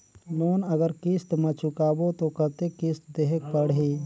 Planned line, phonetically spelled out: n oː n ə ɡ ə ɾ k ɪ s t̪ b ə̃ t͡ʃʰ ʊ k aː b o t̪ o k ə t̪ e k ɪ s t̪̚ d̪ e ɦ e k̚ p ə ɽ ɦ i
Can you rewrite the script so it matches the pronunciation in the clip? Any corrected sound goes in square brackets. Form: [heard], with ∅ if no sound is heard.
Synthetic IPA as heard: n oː n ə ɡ ə ɾ k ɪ s t̪ [m] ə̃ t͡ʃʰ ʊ k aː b o t̪ o k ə t̪ e k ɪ s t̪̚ d̪ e ɦ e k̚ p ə ɽ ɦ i

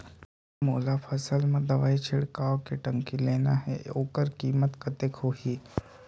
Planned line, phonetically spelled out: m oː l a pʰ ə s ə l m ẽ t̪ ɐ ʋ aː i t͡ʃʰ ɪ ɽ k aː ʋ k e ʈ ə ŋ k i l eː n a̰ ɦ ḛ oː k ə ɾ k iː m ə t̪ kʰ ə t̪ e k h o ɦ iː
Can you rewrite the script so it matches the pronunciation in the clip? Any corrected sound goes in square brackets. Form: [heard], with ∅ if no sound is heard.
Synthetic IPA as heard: m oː l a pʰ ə s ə l m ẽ [d̪] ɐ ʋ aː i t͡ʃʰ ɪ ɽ k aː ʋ k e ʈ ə ŋ k i l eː n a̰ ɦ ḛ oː k ə ɾ k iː m ə t̪ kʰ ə t̪ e k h o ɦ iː

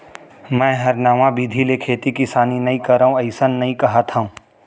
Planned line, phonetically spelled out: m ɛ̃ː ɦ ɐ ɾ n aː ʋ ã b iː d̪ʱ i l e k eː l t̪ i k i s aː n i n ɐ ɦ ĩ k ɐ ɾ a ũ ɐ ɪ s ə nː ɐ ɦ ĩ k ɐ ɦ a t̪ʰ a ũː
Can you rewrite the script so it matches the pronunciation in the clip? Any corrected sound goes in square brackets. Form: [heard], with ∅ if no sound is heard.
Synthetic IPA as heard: m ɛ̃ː ɦ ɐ ɾ n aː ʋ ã b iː d̪ʱ i l e [kʰ] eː [∅] t̪ i k i s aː n i n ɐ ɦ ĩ k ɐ ɾ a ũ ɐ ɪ s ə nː ɐ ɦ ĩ k ɐ ɦ a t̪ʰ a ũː

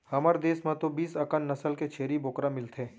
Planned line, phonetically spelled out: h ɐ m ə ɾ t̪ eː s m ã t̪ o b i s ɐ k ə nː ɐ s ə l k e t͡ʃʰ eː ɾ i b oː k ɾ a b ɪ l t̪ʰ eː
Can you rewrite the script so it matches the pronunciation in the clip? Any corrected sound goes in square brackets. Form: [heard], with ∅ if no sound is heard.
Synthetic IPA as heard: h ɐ m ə ɾ [d̪] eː s m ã t̪ o b [iː] s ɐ k ə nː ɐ s ə l k e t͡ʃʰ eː ɾ i b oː k ɾ a [m] ɪ l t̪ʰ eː

